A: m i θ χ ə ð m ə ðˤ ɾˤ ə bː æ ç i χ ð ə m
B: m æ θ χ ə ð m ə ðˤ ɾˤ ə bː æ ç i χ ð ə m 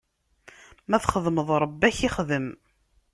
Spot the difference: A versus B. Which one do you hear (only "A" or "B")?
B